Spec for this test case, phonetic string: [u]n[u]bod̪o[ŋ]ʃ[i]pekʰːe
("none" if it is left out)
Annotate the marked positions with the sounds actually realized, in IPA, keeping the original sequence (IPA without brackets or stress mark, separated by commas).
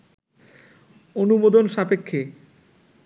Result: o, u, n, a